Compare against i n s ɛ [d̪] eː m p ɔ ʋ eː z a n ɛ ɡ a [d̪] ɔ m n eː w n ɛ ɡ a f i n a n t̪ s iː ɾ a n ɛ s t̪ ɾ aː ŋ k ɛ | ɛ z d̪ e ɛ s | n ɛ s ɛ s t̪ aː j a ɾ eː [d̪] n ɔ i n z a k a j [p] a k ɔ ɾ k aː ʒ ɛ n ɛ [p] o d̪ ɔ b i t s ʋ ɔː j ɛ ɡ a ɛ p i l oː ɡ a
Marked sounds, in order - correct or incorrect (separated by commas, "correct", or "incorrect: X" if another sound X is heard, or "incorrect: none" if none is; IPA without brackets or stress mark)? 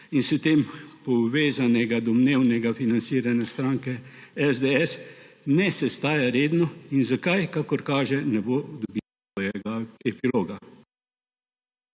incorrect: t̪, correct, correct, incorrect: k, incorrect: b